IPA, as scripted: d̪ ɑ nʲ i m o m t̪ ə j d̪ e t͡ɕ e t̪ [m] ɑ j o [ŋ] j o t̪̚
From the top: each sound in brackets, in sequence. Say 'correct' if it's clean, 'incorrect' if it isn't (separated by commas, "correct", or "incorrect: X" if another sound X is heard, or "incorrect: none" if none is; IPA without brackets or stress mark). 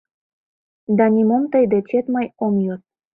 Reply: correct, incorrect: m